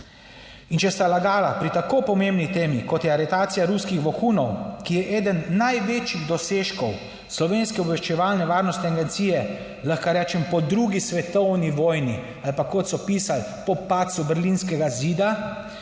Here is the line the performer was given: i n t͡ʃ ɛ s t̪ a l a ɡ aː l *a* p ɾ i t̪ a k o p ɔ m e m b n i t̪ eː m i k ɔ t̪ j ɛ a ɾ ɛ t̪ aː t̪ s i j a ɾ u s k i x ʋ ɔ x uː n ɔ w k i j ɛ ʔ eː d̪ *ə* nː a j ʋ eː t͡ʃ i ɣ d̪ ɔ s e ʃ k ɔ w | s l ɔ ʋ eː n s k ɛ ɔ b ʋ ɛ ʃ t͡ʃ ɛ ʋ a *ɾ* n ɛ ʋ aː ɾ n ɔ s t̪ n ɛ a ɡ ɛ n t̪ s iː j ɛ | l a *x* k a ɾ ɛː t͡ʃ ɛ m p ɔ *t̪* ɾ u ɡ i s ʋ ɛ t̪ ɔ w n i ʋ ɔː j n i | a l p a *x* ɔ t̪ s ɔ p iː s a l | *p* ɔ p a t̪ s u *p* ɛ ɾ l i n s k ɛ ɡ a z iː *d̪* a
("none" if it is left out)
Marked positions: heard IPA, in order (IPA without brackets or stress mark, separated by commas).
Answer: a, ə, l, x, d̪, k, p, b, d̪